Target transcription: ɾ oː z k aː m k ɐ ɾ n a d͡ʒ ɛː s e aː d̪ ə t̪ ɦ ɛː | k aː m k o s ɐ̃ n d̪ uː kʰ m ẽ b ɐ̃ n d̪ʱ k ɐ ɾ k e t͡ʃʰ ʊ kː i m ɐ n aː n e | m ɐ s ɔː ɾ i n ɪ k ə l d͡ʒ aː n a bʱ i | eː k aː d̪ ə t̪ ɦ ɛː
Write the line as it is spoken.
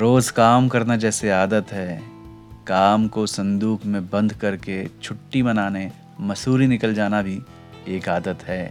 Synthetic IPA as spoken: ɾ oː z k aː m k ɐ ɾ n a d͡ʒ ɛː s e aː d̪ ə t̪ ɦ ɛː | k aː m k o s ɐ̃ n d̪ uː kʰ m ẽ b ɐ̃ n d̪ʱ k ɐ ɾ k e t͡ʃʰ ʊ ʈː i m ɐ n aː n e | m ɐ s uː ɾ i n ɪ k ə l d͡ʒ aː n a bʱ i | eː k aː d̪ ə t̪ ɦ ɛː